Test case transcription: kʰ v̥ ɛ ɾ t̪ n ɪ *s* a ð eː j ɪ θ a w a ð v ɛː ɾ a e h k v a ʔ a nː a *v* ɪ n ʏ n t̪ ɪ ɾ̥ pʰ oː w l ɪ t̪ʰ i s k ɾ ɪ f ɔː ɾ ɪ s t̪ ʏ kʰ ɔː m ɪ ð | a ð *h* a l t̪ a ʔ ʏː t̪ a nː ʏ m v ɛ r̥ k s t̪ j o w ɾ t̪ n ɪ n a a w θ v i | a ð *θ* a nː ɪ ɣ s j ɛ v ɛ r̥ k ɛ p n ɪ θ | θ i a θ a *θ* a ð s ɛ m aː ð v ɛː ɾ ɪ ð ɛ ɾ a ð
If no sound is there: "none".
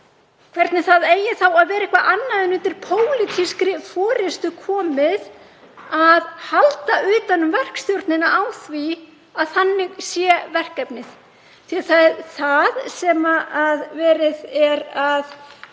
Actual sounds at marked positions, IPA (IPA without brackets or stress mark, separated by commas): θ, ð, h, θ, θ